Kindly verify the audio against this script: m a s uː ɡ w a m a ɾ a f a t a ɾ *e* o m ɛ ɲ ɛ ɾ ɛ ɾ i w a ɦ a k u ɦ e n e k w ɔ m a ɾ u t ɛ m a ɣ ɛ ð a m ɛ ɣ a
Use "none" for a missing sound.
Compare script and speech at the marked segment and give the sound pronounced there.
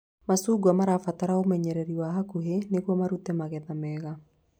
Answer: a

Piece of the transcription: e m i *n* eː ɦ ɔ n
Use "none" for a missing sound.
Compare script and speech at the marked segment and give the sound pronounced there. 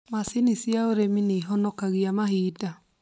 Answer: n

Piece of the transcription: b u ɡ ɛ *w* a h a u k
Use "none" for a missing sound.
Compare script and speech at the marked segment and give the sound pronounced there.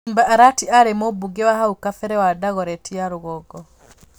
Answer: w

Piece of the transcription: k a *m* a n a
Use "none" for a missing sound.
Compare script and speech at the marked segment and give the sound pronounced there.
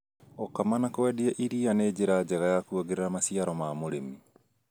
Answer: m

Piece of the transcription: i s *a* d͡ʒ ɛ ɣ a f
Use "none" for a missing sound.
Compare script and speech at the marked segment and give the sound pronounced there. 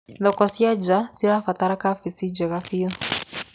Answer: i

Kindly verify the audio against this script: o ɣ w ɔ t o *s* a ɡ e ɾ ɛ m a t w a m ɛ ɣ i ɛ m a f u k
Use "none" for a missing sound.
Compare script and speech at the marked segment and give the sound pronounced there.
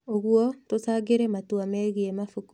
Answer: s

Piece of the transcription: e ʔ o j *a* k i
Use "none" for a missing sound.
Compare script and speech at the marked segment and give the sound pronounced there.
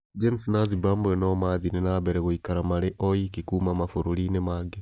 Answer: i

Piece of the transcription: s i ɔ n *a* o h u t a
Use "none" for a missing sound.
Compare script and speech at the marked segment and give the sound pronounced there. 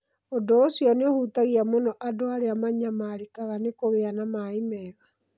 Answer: e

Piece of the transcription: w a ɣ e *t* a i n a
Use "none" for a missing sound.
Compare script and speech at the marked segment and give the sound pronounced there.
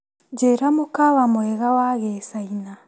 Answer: s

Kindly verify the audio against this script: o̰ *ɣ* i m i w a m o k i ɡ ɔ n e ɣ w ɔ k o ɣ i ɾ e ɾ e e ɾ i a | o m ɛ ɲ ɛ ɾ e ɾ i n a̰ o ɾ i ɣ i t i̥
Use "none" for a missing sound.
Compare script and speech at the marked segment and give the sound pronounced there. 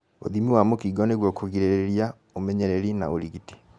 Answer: ð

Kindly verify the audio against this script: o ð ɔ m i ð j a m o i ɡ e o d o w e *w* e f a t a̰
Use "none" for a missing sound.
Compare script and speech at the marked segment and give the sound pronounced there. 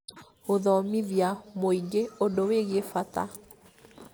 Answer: ɣ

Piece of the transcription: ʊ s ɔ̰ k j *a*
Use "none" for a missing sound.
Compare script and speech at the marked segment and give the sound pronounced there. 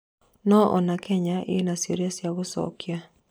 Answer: a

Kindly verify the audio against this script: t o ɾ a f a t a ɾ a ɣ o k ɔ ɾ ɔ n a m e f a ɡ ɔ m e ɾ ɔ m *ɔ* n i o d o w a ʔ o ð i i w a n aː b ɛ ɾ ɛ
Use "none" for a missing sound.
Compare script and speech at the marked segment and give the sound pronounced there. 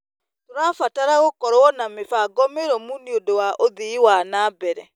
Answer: u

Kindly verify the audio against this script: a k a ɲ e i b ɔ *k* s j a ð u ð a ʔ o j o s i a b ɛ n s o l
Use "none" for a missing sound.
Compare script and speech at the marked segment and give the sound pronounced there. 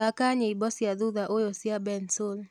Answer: none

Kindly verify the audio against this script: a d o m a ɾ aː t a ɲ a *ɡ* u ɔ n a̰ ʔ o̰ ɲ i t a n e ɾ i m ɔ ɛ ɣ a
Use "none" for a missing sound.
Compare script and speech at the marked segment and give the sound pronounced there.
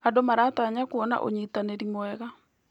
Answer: k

